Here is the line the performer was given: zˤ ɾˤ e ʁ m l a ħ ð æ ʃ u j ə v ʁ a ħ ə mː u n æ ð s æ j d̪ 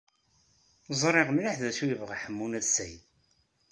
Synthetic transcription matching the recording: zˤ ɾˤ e ʁ m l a ħ ð æ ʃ u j ə v ʁ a ħ ə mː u n æ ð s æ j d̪